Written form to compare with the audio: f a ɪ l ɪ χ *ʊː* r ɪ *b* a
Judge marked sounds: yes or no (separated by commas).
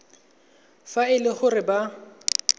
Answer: no, yes